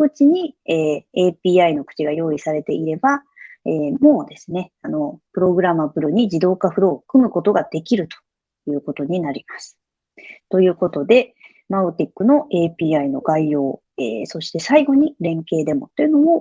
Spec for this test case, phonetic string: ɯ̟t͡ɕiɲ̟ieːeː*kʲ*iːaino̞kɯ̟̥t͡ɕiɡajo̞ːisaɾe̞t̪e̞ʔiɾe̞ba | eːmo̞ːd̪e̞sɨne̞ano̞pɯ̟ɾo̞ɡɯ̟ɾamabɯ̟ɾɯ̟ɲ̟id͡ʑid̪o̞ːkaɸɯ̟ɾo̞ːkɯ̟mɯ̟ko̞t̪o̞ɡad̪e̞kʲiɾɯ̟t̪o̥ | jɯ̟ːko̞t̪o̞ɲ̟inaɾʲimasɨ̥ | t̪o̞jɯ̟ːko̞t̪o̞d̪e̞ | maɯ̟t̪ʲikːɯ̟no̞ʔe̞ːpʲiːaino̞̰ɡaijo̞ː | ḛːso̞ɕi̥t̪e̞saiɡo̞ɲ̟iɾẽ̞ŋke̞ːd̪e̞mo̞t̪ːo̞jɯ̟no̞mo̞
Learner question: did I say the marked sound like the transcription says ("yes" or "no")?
no